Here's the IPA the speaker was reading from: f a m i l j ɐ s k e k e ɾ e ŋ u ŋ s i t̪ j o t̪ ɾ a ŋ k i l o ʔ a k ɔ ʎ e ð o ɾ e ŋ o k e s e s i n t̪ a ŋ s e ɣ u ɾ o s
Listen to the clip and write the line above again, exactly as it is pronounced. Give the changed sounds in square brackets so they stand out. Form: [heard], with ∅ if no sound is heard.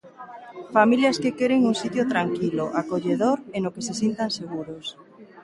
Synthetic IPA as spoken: f a m i l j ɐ s k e k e ɾ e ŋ u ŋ s i t̪ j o t̪ ɾ a ŋ k i l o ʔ a k [o] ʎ e ð o ɾ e [n] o k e s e s i n t̪ a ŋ s e ɣ u ɾ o s